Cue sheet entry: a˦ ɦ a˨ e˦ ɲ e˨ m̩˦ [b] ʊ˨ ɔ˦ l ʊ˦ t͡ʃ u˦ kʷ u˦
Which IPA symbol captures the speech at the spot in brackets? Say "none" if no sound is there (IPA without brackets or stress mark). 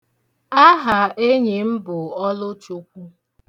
b